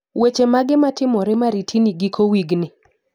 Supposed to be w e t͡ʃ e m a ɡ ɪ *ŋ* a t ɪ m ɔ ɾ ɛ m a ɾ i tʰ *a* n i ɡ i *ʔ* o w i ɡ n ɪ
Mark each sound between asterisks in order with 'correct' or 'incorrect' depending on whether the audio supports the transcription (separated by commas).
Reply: incorrect, incorrect, incorrect